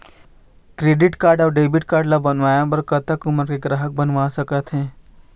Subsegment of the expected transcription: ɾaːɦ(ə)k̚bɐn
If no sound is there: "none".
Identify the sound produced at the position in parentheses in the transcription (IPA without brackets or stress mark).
ə